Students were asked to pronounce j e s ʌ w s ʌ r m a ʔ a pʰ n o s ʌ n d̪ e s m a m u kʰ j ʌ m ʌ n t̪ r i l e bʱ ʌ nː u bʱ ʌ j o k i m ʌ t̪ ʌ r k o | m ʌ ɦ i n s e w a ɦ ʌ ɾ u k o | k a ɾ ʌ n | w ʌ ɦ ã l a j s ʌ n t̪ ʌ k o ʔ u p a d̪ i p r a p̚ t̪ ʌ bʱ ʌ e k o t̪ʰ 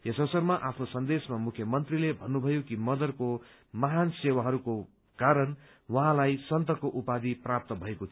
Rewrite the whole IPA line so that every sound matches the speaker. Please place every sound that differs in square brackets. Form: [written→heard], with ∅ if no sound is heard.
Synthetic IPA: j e s ʌ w s ʌ r m a ʔ a pʰ n o s ʌ n d̪ e s m a m u kʰ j ʌ m ʌ n t̪ r i l e bʱ ʌ nː u bʱ ʌ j o k i m ʌ [t̪→d̪] ʌ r k o | m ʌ ɦ [i→a] n s e w a ɦ ʌ ɾ u k o | k a ɾ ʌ n | w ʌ ɦ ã l a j s ʌ n t̪ ʌ k o ʔ u p a d̪ i p r a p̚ t̪ ʌ bʱ ʌ e k o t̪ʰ